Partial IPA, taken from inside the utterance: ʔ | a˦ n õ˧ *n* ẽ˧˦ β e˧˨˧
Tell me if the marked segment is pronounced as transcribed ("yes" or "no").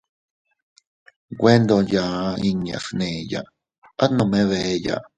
no